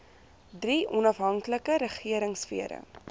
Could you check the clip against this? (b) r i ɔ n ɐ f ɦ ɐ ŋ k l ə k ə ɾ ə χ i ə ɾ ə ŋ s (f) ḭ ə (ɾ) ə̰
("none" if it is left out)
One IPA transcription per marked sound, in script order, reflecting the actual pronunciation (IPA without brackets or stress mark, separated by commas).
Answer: d, f, ɾ